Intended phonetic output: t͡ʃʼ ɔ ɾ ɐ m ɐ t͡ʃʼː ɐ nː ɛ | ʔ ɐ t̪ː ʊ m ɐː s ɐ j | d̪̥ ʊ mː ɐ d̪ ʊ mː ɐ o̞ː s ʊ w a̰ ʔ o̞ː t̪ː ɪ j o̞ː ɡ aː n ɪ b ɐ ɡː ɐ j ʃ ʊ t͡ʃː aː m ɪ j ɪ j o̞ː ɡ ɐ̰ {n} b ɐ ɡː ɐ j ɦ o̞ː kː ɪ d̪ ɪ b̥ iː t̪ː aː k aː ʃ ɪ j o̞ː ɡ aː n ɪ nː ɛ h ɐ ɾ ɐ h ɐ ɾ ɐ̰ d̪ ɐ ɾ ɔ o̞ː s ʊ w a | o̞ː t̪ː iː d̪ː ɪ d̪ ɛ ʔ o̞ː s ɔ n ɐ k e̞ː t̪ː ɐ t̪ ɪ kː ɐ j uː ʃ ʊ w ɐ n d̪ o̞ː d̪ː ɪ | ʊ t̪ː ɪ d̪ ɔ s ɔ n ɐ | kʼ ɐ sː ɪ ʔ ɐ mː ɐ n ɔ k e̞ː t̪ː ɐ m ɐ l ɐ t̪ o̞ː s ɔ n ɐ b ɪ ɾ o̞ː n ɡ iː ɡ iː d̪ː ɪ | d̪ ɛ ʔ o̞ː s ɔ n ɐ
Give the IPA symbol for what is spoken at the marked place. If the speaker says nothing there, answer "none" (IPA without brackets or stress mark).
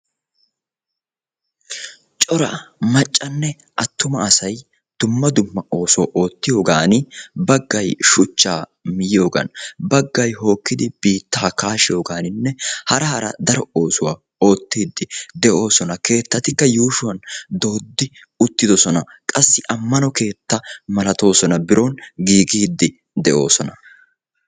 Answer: n